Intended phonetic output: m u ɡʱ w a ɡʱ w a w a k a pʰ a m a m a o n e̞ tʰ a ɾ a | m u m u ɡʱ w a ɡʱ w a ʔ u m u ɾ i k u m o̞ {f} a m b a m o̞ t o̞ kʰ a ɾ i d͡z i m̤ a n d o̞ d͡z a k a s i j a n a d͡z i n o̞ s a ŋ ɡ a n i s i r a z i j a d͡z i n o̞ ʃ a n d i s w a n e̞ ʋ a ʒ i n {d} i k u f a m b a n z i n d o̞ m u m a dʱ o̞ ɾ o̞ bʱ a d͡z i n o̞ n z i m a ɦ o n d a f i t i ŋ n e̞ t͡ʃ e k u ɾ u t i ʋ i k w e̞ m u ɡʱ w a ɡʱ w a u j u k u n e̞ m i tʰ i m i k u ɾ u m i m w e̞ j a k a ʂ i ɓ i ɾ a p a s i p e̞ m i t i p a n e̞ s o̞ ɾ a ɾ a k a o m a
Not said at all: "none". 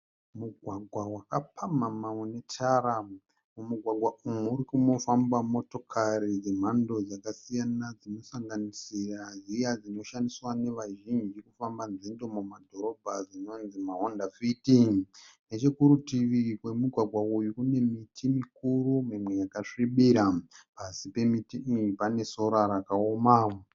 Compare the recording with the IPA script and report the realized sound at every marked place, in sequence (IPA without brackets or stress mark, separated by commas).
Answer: f, d͡ʒ